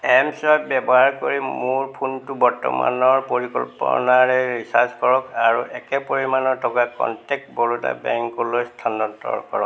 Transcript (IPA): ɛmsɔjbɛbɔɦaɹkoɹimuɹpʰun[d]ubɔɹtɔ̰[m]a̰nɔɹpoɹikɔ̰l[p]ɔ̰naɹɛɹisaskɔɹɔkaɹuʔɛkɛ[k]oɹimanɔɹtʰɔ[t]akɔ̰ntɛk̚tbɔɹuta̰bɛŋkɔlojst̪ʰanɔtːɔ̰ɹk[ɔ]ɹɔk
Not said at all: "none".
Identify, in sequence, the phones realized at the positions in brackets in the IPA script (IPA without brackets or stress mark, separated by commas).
t, m, p, p, k, ɔ